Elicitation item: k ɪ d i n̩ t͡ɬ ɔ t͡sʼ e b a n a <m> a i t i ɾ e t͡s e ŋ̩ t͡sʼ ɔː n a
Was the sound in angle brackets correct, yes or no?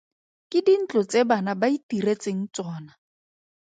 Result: no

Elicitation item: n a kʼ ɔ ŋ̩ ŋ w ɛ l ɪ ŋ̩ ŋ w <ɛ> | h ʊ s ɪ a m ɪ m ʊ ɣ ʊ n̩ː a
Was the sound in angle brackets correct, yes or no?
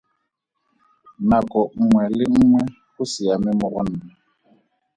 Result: yes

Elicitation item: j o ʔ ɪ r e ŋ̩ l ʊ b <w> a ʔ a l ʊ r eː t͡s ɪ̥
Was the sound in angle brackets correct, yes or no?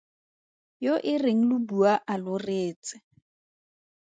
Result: no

